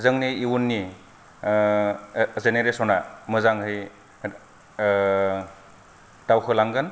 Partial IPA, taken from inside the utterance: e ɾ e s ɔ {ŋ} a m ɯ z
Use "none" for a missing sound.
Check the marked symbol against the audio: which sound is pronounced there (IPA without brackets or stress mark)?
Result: n